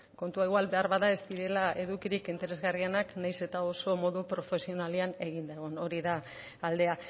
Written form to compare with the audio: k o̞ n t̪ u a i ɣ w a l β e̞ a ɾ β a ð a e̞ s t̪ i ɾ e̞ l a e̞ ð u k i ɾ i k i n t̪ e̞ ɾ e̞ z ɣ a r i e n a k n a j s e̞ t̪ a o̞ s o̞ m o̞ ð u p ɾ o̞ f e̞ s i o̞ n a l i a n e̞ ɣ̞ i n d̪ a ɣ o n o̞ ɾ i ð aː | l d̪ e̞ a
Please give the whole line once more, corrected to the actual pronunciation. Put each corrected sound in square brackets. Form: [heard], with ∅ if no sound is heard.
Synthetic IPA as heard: k o̞ n t̪ u a i ɣ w a l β e̞ a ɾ β a ð a e̞ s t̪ i ɾ e̞ l a e̞ ð u k i ɾ i k i n t̪ e̞ ɾ e̞ z ɣ a r i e n a k n a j s e̞ t̪ a o̞ s o̞ m o̞ ð u p ɾ o̞ f e̞ s i o̞ n a l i a n e̞ ɣ̞ i n d̪ a ɣ o n o̞ ɾ i ð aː | l d̪ e̞ a